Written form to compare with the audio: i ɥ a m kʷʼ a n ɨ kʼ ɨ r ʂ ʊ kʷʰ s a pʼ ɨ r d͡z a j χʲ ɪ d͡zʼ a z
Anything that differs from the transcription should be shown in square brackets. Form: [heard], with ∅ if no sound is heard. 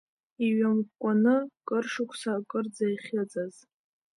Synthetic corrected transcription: i ɥ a m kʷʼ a n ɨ kʼ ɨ r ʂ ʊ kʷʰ s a [kʼ] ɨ r d͡z a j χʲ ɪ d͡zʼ a z